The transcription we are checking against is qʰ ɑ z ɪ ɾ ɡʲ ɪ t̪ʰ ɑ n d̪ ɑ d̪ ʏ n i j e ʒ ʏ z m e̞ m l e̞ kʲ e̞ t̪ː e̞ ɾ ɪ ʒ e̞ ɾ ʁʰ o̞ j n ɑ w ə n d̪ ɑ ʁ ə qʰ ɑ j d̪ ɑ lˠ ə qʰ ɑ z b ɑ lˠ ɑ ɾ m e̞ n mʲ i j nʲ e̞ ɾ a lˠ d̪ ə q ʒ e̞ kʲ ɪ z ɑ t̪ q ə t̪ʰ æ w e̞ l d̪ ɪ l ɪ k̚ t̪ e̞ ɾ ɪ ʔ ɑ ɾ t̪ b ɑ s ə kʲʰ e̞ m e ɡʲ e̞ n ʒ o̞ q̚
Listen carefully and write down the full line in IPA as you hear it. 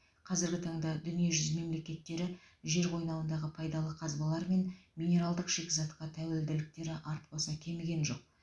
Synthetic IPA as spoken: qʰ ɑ z ɪ ɾ ɡʲ ɪ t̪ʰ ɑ ɴ d̪ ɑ d̪ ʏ n i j e ʒ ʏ z m e̞ m l e̞ kʲ e̞ t̪ː e̞ ɾ ɪ ʒ e̞ ɾ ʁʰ o̞ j n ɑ w ə n d̪ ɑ ʁ ə pʰ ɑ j d̪ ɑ lˠ ə qʰ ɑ z b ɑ lˠ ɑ ɾ m e̞ n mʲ i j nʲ e̞ ɾ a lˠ d̪ ə q ʃ e̞ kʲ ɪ z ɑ t̪ q ɑ t̪ʰ æ w e̞ l d̪ ɪ l ɪ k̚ t̪ e̞ ɾ ɪ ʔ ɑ ɾ t̪ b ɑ s ɑ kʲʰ e̞ m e ɡʲ e̞ n ʒ o̞ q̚